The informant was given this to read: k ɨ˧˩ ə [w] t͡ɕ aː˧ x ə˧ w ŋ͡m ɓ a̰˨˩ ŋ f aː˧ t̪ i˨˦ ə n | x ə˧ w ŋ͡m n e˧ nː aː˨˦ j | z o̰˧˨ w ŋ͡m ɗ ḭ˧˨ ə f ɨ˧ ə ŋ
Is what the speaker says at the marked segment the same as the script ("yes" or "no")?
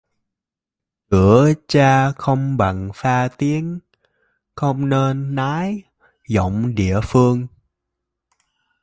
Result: no